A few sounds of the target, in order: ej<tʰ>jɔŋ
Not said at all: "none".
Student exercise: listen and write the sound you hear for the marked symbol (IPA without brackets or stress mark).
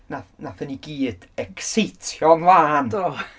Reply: tʰ